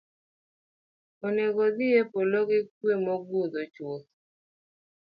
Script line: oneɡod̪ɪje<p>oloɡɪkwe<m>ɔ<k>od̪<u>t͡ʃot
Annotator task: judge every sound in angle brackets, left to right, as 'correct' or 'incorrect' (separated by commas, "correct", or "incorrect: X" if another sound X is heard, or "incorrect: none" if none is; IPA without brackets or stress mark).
correct, correct, incorrect: ɡ, incorrect: o